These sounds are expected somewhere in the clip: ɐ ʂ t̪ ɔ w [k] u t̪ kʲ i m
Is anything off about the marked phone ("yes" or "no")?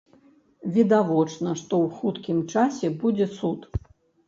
yes